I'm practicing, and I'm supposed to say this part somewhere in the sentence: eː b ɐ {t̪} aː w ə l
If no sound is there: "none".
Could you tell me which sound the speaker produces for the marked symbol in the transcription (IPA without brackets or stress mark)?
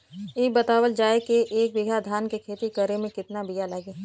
t̪